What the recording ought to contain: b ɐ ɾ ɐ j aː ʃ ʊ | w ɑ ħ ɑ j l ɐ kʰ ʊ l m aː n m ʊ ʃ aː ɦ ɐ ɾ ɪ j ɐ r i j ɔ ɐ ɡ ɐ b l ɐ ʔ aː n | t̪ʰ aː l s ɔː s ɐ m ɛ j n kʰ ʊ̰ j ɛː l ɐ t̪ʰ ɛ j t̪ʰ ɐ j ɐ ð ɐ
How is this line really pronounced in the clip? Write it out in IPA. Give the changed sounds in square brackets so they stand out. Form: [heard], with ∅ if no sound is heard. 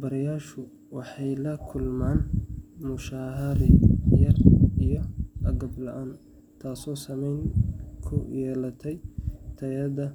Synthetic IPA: b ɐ ɾ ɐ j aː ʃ ʊ | w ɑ ħ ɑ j l ɐ kʰ ʊ l m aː n m ʊ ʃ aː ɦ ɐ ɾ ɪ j ɐ r i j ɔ ɐ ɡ ɐ b l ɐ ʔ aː n | t̪ʰ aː [∅] s ɔː s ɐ m ɛ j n kʰ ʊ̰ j ɛː l ɐ t̪ʰ ɛ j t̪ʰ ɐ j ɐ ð ɐ